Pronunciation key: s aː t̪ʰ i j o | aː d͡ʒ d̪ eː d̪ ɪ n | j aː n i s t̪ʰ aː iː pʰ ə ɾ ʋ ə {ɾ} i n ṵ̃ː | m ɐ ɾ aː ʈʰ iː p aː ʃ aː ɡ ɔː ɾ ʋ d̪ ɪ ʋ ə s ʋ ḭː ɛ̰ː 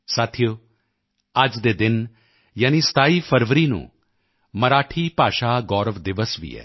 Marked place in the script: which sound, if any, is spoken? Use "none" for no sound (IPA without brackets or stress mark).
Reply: ɾ